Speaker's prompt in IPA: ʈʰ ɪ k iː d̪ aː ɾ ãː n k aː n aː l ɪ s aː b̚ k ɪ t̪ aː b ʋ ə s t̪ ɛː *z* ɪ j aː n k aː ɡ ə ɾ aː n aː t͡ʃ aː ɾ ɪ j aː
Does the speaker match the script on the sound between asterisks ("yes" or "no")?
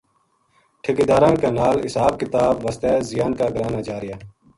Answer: yes